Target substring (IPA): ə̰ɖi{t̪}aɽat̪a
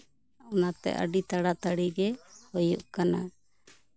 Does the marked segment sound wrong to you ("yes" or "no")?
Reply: no